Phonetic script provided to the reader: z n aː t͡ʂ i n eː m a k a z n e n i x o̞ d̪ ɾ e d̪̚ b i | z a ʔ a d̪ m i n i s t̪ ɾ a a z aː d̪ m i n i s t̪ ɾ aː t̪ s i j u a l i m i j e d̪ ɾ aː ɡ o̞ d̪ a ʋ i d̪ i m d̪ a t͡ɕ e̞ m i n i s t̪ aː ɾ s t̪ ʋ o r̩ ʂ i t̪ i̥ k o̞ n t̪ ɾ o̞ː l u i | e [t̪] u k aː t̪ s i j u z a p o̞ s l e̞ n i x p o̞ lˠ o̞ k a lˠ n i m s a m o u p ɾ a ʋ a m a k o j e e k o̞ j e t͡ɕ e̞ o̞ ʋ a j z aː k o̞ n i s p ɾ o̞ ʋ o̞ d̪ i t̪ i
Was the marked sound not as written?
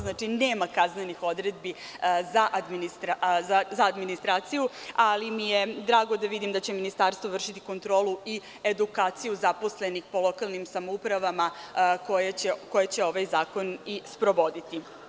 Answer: yes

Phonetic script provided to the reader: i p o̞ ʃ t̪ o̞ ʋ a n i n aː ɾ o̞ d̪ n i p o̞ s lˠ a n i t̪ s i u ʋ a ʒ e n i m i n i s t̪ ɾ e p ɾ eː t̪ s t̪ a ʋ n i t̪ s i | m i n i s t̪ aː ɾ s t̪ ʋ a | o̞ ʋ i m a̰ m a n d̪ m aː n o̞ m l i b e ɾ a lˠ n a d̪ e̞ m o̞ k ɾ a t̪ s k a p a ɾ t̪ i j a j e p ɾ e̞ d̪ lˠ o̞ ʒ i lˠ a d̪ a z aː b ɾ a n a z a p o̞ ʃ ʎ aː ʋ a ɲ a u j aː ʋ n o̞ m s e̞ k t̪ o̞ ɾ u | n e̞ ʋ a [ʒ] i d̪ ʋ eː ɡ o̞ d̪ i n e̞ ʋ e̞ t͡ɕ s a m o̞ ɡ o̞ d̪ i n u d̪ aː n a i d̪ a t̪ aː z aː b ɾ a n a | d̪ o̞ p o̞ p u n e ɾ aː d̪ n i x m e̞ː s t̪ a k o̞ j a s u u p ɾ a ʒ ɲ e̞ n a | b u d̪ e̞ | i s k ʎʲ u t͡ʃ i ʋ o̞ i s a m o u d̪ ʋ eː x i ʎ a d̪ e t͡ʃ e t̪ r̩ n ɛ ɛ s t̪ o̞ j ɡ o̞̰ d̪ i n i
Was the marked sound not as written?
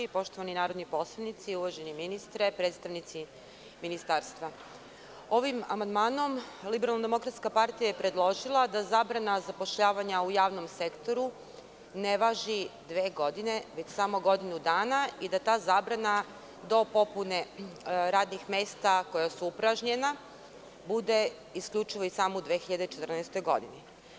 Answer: no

